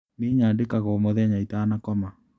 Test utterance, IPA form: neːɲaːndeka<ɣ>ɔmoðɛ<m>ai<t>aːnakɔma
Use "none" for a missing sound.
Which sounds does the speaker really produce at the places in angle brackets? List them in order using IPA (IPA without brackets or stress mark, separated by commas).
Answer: ɣ, ɲ, t